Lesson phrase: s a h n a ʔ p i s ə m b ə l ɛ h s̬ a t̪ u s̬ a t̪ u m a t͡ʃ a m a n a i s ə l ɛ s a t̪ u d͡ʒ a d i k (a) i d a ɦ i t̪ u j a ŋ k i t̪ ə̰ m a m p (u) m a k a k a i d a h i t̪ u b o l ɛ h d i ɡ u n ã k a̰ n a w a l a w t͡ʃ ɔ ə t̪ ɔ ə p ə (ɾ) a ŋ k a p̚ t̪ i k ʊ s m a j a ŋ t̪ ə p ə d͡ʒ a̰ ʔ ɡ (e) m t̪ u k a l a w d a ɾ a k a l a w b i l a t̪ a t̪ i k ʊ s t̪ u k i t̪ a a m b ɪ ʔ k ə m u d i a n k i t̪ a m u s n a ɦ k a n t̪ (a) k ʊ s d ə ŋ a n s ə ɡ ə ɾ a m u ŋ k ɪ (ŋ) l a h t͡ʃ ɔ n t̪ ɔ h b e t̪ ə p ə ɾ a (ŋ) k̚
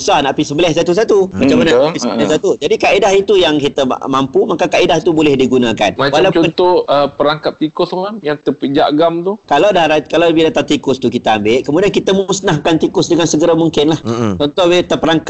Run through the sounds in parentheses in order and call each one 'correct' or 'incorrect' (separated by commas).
correct, correct, correct, incorrect, incorrect, incorrect, correct